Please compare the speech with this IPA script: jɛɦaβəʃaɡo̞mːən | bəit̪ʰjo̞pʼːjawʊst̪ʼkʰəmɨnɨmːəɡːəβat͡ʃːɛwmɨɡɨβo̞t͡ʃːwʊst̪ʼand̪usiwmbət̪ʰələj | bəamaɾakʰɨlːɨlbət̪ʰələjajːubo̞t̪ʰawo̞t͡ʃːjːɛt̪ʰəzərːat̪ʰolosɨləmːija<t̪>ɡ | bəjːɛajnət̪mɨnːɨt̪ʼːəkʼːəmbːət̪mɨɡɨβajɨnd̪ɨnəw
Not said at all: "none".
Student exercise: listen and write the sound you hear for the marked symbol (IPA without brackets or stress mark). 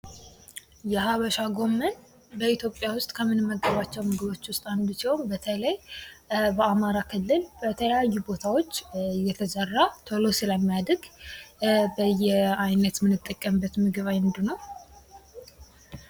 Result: d̪